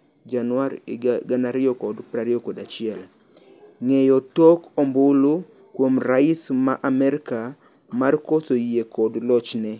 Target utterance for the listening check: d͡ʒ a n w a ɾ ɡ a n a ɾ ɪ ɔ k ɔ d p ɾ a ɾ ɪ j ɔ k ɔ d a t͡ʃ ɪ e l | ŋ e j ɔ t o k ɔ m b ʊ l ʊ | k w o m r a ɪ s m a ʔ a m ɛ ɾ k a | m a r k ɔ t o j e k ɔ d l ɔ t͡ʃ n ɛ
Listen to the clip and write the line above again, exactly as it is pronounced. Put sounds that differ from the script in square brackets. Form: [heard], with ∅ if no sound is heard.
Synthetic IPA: d͡ʒ a n w a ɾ ɡ a n a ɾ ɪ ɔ k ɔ d p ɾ a ɾ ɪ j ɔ k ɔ d a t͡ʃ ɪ [ɛ] l | ŋ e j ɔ t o k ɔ m b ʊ l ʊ | k w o m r a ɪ s m a ʔ a m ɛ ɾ k a | m a r k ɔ [s] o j e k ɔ d l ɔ t͡ʃ n ɛ